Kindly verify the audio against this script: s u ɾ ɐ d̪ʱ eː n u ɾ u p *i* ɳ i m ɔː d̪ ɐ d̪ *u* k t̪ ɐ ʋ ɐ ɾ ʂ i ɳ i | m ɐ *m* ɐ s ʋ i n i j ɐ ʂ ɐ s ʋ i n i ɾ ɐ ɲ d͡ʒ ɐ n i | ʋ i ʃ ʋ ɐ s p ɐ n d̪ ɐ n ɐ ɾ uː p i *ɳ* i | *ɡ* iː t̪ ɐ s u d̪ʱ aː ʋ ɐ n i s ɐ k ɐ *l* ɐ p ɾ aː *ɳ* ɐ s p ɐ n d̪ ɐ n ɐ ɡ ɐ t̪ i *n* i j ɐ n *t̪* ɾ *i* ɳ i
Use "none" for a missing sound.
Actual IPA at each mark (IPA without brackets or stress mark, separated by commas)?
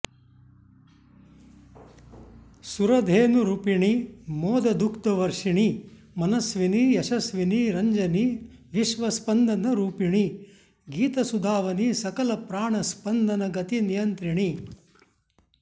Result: i, u, n, ɳ, ɡ, l, ɳ, n, t̪, i